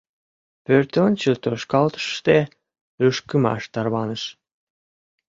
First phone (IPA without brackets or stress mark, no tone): p